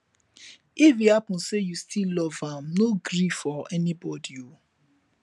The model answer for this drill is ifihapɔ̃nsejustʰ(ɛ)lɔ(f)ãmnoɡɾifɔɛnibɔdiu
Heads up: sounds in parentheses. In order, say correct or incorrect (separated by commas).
incorrect, incorrect